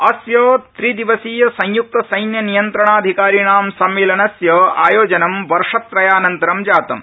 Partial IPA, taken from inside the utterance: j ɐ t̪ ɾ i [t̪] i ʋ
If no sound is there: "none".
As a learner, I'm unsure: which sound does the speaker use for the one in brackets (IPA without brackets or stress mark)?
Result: d̪